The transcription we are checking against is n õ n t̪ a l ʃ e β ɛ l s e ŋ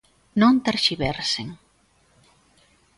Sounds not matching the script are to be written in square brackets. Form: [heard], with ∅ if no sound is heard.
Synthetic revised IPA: n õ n t̪ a [ɾ] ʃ [i] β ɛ [ɾ] s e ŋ